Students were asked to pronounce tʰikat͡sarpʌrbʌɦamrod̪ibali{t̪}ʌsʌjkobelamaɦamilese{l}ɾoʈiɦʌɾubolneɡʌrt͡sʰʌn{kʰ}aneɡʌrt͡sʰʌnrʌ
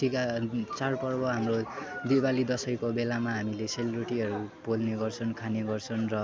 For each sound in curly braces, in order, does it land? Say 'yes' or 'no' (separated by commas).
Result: no, yes, yes